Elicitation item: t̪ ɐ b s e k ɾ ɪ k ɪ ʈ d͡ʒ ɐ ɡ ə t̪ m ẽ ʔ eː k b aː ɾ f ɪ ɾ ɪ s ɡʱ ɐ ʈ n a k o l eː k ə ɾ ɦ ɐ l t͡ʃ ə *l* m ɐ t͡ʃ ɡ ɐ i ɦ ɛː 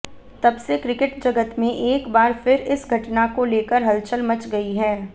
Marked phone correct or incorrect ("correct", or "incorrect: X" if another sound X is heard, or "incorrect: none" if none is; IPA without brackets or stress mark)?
correct